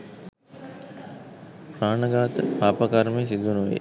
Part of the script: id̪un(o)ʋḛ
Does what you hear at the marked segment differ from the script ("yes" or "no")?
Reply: yes